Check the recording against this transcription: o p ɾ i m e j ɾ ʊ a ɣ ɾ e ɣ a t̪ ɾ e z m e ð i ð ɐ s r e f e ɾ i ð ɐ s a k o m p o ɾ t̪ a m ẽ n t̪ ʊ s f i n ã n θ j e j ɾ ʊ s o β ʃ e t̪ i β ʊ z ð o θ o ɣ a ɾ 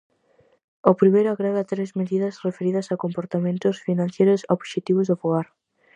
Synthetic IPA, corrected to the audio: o p ɾ i m e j ɾ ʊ a ɣ ɾ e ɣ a t̪ ɾ e z m e ð i ð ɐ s r e f e ɾ i ð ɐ s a k o m p o ɾ t̪ a m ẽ n t̪ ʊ s f i n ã n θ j e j ɾ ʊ s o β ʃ e t̪ i β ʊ z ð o f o ɣ a ɾ

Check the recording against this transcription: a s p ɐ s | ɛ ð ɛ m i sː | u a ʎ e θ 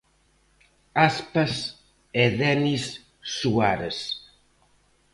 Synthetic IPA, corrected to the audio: a s p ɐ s | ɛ ð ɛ n i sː | u a ɾ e s

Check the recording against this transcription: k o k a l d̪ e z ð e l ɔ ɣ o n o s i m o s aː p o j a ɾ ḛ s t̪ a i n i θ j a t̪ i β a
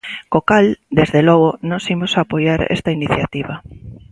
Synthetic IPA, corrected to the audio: k o k a l d̪ e z ð e l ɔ ɣ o n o s i m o s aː p o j a ɾ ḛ s t̪ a i n i θ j a t̪ i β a

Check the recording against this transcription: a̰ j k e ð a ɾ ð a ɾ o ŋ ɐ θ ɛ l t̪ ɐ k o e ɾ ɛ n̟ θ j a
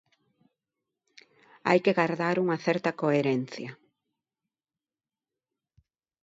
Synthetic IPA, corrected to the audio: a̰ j k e ɣ a ɾ ð a ɾ u ŋ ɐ θ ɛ ɾ t̪ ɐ k o e ɾ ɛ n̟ θ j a

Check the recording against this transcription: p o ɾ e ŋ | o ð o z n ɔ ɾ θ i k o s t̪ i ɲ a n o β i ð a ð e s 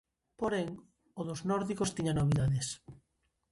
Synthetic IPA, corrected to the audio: p o ɾ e ŋ | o ð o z n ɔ ɾ ð i k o s t̪ i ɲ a n o β i ð a ð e s

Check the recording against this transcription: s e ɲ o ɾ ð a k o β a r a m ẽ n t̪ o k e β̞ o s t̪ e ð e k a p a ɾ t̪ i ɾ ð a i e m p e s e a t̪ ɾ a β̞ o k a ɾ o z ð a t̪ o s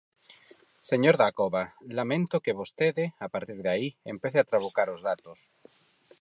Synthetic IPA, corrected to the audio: s e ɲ o ɾ ð a k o β a l a m ẽ n t̪ o k e β̞ o s t̪ e ð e a p a ɾ t̪ i ɾ ð a i e m p e θ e a t̪ ɾ a β̞ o k a ɾ o z ð a t̪ o s

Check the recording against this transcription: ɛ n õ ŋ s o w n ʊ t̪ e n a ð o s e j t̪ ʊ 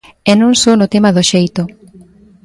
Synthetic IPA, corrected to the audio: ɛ n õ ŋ s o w n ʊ t̪ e m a ð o ʃ e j t̪ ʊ

